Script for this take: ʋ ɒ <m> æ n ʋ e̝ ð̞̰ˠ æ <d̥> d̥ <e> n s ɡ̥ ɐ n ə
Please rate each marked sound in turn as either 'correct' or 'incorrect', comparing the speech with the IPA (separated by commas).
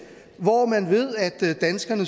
correct, correct, incorrect